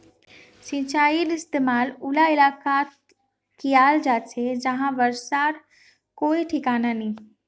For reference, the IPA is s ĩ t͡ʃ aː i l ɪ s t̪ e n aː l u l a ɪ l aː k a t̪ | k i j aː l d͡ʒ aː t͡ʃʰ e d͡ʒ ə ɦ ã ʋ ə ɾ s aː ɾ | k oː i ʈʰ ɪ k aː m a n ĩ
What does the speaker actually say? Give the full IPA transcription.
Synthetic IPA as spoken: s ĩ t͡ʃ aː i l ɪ s t̪ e m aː l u l a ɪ l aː k a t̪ | k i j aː l d͡ʒ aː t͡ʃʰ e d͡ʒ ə ɦ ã ʋ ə ɾ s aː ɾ | k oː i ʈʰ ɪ k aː n a n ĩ